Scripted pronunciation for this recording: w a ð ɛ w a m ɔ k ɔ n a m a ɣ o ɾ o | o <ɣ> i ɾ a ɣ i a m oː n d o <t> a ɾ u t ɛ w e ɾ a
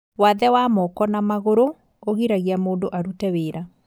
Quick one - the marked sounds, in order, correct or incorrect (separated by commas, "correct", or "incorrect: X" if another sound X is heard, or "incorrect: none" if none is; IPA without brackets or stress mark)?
correct, incorrect: ʔ